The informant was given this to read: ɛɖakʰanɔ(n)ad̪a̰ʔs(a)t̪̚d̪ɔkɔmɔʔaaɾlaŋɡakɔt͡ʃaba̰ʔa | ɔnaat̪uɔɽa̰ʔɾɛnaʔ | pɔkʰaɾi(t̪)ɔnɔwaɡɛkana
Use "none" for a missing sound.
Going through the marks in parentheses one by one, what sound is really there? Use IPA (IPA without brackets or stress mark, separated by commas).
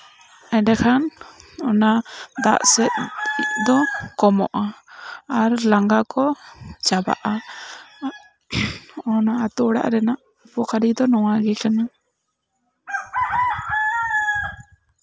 n, ɛ, d̪